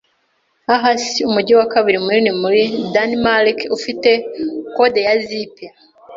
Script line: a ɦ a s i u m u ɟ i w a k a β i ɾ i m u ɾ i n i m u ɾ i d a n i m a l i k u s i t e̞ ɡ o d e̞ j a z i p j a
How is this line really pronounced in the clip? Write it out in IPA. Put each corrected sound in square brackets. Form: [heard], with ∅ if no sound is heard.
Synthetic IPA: a ɦ a s i u m u ɟ i w a k a β i ɾ i m u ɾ i n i m u ɾ i d a n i m a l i k u [f] i t e̞ [k] o d e̞ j a z i p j a